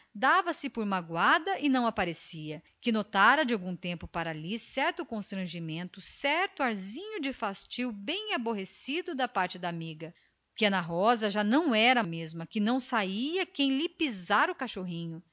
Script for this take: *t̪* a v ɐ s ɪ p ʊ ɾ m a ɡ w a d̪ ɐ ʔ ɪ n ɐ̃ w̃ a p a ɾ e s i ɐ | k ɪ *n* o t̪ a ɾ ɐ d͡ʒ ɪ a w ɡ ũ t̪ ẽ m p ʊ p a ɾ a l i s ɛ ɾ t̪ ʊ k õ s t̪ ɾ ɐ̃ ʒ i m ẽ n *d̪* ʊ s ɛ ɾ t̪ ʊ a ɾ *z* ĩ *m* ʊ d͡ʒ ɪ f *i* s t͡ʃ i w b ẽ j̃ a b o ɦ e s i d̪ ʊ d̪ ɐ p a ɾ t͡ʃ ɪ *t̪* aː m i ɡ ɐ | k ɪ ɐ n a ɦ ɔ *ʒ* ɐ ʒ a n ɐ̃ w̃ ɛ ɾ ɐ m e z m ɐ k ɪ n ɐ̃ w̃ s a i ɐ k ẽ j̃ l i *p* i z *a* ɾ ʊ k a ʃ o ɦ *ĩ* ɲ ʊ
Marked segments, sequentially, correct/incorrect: incorrect, correct, incorrect, correct, incorrect, incorrect, incorrect, incorrect, correct, correct, correct

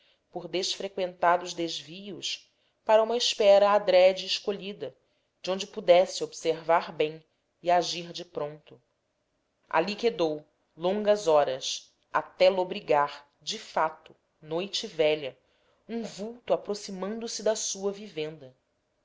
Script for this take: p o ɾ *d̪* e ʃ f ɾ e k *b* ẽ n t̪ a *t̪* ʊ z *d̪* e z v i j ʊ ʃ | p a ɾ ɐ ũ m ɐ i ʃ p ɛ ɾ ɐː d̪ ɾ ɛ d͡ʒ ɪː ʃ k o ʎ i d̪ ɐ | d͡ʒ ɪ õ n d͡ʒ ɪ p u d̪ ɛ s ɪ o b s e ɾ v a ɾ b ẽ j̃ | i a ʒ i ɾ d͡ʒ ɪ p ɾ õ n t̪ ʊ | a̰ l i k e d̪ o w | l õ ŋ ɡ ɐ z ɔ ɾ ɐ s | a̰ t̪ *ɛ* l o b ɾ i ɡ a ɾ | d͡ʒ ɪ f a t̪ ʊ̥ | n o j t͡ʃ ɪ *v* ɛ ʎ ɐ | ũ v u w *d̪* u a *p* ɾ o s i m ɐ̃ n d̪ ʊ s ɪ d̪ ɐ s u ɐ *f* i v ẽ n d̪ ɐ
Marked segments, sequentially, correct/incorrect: correct, incorrect, incorrect, correct, correct, correct, incorrect, correct, incorrect

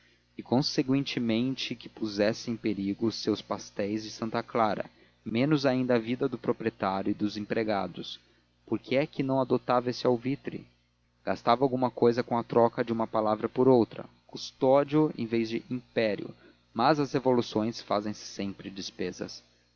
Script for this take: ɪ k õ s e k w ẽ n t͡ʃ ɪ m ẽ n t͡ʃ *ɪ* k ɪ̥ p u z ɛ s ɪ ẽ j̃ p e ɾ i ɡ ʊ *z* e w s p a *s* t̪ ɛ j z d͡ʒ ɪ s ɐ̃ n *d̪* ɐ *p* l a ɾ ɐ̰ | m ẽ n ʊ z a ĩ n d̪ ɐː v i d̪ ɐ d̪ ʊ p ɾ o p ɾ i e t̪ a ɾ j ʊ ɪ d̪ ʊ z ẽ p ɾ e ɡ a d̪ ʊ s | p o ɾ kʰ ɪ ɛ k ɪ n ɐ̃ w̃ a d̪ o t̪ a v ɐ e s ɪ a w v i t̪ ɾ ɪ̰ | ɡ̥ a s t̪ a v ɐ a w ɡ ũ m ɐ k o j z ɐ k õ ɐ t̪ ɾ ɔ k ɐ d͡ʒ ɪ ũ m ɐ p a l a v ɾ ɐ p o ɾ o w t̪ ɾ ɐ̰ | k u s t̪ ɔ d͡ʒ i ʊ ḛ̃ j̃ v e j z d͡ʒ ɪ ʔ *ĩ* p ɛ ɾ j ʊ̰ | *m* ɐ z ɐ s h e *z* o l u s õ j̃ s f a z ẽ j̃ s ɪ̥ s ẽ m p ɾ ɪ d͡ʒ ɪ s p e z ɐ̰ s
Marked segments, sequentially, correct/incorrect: correct, incorrect, correct, incorrect, incorrect, correct, correct, incorrect

